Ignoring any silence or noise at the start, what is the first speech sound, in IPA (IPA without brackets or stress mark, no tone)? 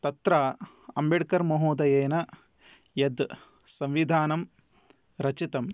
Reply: t̪